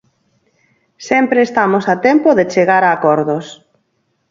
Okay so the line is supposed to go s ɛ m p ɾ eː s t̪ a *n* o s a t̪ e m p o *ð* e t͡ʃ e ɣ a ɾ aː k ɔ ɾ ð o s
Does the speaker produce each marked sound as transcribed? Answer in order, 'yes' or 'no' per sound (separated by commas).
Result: no, yes